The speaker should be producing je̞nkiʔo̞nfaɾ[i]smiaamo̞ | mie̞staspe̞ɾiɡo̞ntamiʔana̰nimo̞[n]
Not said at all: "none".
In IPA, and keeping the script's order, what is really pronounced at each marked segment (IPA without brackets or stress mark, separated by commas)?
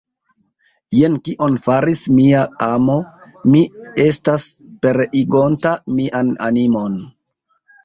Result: i, n